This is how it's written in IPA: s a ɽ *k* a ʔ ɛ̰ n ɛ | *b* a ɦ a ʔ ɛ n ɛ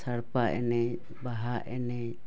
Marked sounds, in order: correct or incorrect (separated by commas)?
incorrect, correct